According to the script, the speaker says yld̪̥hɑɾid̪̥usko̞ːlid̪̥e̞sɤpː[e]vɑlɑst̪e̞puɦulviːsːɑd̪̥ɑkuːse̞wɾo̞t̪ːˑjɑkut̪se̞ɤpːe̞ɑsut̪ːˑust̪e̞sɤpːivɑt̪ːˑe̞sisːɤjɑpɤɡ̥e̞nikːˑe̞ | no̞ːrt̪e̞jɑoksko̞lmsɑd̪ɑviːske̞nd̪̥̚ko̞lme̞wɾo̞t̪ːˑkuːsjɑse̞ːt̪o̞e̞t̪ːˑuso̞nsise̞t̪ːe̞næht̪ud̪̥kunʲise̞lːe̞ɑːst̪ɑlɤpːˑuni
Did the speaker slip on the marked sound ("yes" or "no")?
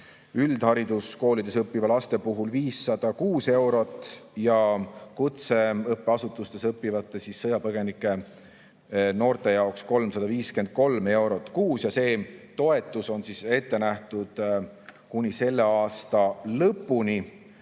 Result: yes